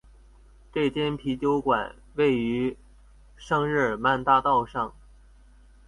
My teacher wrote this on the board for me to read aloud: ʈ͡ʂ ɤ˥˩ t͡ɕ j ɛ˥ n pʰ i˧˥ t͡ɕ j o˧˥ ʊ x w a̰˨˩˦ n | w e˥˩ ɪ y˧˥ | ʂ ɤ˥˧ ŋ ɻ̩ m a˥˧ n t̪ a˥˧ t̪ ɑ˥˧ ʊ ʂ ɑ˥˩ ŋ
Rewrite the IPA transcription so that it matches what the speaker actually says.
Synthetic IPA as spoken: ʈ͡ʂ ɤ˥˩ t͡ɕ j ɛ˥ n pʰ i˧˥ t͡ɕ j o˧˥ ʊ k w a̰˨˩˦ n | w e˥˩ ɪ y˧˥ | ʂ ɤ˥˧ ŋ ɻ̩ m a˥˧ n t̪ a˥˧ t̪ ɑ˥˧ ʊ ʂ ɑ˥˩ ŋ

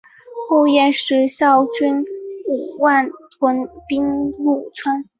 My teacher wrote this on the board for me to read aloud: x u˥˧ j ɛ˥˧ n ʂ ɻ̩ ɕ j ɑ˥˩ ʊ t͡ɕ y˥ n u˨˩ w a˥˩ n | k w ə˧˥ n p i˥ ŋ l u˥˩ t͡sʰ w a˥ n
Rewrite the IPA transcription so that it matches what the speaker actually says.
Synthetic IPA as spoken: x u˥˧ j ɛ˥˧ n ʂ ɻ̩ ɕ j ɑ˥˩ ʊ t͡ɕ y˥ n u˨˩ w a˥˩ n | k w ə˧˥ n p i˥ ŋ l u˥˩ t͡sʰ w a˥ n

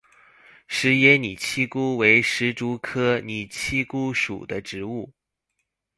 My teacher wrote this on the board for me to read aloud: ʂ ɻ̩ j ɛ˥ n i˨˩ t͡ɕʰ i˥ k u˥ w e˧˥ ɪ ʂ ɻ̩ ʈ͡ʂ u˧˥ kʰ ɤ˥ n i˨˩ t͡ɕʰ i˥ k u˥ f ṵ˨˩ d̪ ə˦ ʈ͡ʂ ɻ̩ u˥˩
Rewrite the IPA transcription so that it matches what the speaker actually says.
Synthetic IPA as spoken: ʂ ɻ̩ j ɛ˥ n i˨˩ t͡ɕʰ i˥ k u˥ w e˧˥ ɪ ʂ ɻ̩ ʈ͡ʂ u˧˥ kʰ ɤ˥ n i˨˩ t͡ɕʰ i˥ k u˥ ʂ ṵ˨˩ d̪ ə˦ ʈ͡ʂ ɻ̩ u˥˩

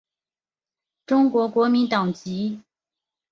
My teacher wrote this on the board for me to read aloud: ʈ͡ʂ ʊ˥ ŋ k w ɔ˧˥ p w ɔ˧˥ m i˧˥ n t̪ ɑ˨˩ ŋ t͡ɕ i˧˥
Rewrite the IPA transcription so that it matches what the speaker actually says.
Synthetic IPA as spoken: ʈ͡ʂ ʊ˥ ŋ k w ɔ˧˥ k w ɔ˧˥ m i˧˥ n t̪ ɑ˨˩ ŋ t͡ɕ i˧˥

